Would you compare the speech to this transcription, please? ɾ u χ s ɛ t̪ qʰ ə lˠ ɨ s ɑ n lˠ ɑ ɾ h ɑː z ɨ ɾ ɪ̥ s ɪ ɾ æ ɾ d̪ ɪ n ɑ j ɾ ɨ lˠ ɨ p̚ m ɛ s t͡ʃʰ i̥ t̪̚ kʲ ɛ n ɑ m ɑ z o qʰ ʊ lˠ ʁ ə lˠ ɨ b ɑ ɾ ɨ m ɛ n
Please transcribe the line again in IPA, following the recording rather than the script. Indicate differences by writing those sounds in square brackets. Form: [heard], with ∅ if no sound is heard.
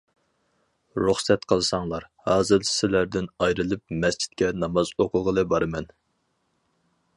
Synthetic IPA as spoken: ɾ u χ s ɛ t̪ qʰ ə lˠ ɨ s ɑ [ŋ] lˠ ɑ ɾ h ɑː z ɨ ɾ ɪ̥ s ɪ [l] æ ɾ d̪ ɪ n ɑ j ɾ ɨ lˠ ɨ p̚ m ɛ s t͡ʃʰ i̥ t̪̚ kʲ ɛ n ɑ m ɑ z o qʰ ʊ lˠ ʁ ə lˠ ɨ b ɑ ɾ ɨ m ɛ n